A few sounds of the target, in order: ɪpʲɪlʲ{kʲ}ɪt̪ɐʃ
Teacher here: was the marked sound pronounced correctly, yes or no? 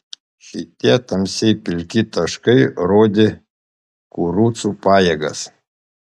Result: yes